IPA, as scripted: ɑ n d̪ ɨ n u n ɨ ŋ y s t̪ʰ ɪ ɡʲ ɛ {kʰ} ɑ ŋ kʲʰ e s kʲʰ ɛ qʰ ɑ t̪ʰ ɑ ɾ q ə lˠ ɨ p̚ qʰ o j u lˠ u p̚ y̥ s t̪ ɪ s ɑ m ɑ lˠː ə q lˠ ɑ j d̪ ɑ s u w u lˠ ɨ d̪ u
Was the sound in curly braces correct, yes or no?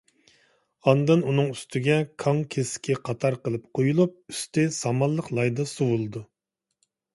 yes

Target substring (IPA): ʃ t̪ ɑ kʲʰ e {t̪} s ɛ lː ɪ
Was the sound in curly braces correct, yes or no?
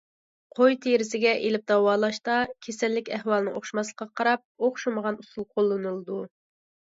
no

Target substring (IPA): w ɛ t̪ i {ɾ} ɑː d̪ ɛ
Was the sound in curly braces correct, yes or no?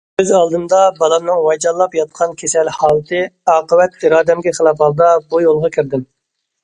yes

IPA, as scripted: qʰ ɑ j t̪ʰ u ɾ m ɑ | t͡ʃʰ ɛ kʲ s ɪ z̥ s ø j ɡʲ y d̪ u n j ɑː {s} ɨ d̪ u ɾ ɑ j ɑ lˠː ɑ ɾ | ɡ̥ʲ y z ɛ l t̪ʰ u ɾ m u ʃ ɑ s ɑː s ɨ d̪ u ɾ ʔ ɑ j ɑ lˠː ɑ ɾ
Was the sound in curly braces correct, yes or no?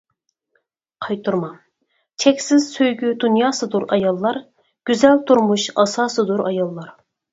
yes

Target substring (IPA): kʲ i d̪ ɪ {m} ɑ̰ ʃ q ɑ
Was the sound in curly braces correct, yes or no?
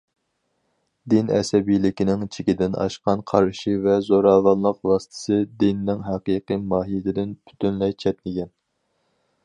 no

